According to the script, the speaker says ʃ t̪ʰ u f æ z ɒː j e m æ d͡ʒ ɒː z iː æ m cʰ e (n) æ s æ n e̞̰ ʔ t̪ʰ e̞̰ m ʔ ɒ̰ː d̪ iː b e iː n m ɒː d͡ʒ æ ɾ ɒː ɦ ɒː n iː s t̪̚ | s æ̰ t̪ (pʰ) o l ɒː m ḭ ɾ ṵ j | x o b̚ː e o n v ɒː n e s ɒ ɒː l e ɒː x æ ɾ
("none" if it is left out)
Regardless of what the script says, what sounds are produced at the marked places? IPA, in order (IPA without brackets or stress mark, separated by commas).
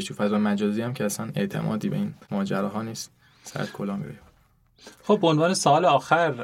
none, kʰ